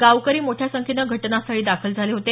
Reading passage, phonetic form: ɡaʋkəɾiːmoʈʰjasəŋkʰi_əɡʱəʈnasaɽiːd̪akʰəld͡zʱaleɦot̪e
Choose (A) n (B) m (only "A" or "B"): A